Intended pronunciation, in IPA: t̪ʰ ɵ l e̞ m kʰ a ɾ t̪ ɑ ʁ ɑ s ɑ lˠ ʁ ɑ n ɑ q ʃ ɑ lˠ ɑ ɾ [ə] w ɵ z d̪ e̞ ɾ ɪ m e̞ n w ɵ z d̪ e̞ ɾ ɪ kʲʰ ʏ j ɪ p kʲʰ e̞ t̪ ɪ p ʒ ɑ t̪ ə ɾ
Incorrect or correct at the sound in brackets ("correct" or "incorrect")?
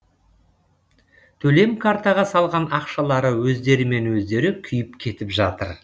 correct